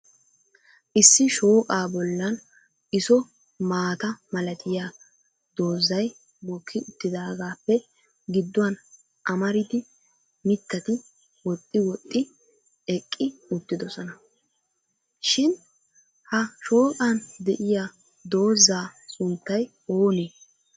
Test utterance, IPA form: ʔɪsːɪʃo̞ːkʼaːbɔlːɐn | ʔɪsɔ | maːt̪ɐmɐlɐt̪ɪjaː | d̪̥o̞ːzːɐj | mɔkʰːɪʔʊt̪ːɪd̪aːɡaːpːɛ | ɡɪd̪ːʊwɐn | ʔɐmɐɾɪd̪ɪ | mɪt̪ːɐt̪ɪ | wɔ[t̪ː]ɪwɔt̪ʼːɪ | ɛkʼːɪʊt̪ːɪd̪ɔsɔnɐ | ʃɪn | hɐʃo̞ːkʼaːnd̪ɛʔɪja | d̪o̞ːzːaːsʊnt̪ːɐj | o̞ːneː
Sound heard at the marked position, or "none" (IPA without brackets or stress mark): t̪ʼː